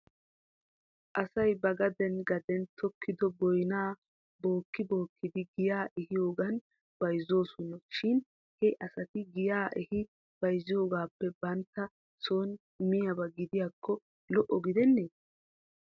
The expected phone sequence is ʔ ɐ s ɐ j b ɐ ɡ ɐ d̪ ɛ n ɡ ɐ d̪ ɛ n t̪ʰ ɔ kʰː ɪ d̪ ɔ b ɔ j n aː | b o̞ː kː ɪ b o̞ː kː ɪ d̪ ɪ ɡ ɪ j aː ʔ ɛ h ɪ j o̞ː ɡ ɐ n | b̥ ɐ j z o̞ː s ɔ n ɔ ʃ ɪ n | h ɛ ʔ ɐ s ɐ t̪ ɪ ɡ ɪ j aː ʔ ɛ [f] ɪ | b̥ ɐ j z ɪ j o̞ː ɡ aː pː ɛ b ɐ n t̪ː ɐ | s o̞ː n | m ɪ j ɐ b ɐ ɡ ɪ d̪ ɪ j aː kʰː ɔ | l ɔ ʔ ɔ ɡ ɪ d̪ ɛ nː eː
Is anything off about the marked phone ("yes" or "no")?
yes